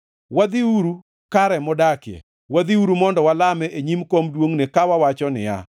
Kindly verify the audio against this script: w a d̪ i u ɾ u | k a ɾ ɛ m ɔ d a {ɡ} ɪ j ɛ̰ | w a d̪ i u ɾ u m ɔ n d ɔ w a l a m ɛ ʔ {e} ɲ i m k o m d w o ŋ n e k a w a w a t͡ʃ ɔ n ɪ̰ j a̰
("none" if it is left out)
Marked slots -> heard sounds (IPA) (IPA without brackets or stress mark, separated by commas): k, e